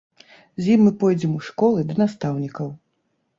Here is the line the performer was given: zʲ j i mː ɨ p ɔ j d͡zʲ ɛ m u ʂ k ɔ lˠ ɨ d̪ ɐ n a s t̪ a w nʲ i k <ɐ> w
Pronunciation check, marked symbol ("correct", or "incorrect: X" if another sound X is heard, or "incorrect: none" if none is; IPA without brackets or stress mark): correct